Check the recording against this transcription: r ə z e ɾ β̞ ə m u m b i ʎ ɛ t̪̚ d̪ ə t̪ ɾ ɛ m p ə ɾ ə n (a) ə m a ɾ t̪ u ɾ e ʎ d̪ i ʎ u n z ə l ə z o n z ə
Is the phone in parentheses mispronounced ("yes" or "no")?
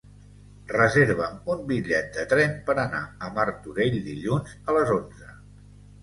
no